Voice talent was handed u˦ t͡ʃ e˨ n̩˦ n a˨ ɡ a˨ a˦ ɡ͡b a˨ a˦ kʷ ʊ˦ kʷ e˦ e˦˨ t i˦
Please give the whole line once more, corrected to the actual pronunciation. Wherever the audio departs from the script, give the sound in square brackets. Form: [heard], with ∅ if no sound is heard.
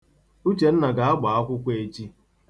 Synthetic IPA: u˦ t͡ʃ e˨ n̩˦ n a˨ ɡ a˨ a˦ ɡ͡b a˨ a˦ kʷ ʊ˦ kʷ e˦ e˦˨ [t͡ʃ] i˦

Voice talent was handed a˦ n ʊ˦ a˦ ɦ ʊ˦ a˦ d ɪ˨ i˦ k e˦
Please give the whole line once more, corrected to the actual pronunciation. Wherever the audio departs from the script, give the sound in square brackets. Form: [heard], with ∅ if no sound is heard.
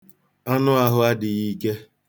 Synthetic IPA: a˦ n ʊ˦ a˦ ɦ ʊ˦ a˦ d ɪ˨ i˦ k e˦

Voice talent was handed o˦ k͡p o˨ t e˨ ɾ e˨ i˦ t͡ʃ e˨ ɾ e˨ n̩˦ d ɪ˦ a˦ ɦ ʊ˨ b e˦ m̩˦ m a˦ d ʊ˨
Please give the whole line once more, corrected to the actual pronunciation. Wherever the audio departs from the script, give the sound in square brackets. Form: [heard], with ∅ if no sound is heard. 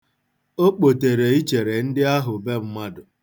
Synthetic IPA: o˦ k͡p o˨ t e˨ ɾ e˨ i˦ t͡ʃ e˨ ɾ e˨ n̩˦ d ɪ˦ a˦ ɦ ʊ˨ b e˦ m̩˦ m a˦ d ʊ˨

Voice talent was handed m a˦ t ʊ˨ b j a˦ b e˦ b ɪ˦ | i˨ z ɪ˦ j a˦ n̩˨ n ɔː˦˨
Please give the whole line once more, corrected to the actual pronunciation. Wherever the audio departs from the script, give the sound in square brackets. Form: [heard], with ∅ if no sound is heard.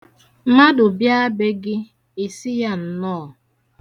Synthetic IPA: m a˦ [d] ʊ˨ b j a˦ b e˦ [ɡ] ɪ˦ | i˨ [s] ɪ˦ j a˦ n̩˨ n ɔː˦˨

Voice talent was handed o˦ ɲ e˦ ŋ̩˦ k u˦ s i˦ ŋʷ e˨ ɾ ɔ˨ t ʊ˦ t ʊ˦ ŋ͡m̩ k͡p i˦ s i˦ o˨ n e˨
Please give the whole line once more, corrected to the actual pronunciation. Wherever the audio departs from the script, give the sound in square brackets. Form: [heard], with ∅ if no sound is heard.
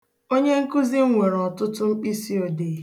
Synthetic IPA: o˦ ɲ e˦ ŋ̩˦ k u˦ [z] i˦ ŋʷ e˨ ɾ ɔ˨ t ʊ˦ t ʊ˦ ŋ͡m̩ k͡p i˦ s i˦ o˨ [d] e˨

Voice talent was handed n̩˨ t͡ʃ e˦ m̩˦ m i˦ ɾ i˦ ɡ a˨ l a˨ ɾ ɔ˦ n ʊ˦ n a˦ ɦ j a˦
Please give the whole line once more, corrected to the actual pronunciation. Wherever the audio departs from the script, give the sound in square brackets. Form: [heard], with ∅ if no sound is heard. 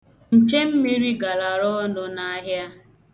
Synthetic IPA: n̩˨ t͡ʃ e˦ m̩˦ m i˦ ɾ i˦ ɡ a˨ l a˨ ɾ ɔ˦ n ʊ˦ n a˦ ɦ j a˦

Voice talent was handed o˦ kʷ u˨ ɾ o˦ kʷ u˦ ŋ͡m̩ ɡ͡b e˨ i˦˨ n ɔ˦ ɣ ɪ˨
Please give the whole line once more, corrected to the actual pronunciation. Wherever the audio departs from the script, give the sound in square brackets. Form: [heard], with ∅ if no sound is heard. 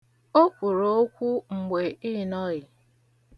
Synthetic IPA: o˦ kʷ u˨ ɾ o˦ kʷ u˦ ŋ͡m̩ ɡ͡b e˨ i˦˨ n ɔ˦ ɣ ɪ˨

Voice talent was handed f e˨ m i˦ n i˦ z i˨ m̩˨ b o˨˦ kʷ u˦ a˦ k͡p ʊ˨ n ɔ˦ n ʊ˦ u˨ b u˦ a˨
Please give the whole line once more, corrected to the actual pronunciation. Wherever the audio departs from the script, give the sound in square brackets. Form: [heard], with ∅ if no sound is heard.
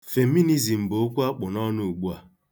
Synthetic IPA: f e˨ m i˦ n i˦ z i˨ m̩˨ b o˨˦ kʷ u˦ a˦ k͡p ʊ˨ n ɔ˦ n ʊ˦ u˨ [ɡ͡b] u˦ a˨

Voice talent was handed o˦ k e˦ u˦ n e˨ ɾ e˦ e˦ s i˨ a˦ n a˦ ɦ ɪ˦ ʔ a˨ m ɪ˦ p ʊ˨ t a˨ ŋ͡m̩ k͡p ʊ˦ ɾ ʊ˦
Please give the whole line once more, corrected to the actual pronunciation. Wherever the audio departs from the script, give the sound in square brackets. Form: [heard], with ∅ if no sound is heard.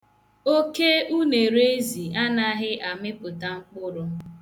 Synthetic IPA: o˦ k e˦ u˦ n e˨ ɾ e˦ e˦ [z] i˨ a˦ n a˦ ɦ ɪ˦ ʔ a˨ m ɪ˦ p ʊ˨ t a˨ ŋ͡m̩ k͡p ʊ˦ ɾ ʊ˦

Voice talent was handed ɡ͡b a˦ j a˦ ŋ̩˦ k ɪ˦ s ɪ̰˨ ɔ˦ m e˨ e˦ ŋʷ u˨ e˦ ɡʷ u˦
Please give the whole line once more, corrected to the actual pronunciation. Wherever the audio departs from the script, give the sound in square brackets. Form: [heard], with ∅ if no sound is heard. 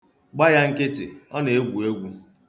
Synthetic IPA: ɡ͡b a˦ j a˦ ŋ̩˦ k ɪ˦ [t] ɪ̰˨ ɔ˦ [n] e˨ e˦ [ɡʷ] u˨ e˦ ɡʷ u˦

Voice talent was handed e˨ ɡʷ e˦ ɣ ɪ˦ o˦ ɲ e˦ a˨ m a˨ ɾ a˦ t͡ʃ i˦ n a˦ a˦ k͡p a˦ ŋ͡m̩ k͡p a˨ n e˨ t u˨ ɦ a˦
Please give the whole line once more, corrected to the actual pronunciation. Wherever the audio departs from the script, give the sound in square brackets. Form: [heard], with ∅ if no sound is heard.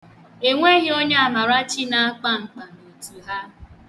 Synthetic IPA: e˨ [ŋʷ] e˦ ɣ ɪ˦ o˦ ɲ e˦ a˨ m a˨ ɾ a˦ t͡ʃ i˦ n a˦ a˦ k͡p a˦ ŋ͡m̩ k͡p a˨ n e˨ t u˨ ɦ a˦

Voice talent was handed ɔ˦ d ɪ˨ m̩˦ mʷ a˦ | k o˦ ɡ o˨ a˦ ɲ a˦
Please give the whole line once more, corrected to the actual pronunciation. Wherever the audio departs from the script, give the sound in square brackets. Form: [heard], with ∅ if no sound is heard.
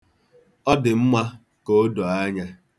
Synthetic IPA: ɔ˦ d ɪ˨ m̩˦ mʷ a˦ | k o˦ [d] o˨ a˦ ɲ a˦

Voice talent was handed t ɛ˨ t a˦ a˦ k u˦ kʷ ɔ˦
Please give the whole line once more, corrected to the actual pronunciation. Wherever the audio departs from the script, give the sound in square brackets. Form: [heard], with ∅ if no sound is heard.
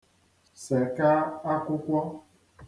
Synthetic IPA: [s] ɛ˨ [k] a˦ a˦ k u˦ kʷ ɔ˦

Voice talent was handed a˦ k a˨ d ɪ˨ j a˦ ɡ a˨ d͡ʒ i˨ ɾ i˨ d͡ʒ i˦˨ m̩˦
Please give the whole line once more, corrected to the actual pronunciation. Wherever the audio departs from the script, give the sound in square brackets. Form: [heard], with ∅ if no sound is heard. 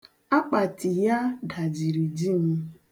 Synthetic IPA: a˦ [k͡p] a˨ [t] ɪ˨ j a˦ ɡ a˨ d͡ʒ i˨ ɾ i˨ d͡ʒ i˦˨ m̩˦

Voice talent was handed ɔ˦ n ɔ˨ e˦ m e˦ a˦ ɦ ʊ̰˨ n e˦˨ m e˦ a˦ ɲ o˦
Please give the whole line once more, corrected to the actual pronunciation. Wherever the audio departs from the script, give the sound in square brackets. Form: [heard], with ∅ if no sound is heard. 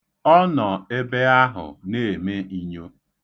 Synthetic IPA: ɔ˦ n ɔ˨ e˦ [b] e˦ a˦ ɦ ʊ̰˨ n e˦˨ m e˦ [i˦] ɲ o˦

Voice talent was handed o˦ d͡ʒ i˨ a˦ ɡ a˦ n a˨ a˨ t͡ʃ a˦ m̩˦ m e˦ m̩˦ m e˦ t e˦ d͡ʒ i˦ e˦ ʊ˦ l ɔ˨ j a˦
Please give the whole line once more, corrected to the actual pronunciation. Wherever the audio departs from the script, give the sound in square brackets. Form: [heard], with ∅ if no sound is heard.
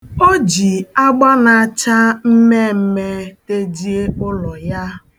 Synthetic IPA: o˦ d͡ʒ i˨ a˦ [ɡ͡b] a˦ n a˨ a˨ t͡ʃ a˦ m̩˦ m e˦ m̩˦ m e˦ t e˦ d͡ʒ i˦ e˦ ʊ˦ l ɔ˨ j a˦

